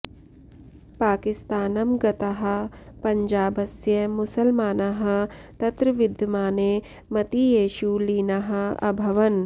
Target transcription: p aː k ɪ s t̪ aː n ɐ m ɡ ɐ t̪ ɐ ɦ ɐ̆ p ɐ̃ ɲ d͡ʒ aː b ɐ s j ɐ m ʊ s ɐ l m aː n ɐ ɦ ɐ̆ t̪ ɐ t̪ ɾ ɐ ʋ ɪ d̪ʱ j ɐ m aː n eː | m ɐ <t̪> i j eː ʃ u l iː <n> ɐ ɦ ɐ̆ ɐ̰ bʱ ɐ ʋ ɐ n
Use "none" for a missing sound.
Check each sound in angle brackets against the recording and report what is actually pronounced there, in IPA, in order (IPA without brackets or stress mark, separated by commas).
t̪, n